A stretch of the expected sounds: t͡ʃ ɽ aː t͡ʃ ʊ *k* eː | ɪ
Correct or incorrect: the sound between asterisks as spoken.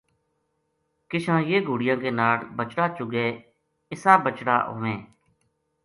incorrect: ɡ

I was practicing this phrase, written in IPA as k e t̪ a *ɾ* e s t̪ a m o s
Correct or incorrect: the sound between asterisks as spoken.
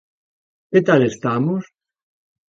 incorrect: l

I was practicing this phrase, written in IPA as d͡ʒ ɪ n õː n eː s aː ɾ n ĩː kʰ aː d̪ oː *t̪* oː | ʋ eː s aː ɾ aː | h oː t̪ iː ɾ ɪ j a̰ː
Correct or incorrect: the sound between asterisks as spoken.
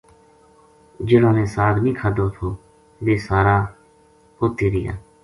incorrect: t̪ʰ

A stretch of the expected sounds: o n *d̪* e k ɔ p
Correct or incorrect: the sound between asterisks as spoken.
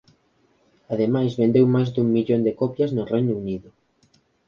correct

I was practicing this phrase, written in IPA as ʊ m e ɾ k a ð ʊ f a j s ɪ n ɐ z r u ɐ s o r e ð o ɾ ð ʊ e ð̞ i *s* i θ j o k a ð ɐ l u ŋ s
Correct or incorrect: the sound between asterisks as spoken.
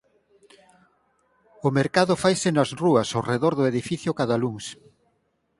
incorrect: f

